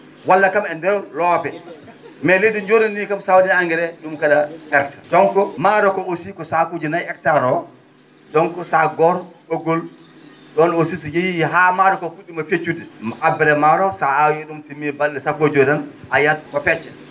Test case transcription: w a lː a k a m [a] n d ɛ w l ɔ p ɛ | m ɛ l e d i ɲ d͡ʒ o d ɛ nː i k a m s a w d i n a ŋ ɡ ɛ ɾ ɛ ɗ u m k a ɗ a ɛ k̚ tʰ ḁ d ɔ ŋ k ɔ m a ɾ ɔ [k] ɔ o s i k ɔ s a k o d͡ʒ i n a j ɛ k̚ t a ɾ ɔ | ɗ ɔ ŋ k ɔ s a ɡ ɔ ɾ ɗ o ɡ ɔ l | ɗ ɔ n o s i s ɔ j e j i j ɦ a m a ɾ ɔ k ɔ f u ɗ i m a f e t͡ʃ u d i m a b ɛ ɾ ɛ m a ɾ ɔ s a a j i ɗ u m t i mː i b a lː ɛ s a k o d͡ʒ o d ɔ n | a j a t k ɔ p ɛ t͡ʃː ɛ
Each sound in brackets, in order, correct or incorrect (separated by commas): incorrect, correct